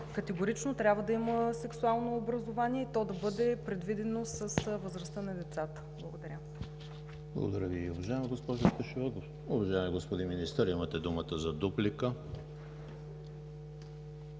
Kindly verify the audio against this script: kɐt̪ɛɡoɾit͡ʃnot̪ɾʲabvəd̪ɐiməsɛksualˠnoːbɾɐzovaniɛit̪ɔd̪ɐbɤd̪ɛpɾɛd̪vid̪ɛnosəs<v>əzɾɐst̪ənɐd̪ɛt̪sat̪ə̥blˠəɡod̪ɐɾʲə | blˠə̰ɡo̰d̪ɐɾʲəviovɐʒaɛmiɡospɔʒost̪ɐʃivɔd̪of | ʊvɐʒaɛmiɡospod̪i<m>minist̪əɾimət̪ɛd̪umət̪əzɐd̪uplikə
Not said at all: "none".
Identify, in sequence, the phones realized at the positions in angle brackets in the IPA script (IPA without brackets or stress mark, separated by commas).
v, n